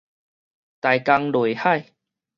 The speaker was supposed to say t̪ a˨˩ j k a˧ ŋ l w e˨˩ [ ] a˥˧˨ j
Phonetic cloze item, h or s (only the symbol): h